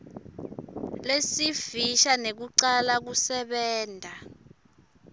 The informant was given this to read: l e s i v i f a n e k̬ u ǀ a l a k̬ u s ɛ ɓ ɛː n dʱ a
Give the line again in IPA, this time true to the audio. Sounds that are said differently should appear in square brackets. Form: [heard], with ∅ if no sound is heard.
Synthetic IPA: l e s i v i [ʃ] a n e k̬ u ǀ a l a k̬ u s ɛ ɓ ɛː n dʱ a